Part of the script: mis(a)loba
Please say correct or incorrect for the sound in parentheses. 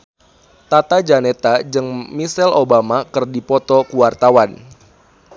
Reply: incorrect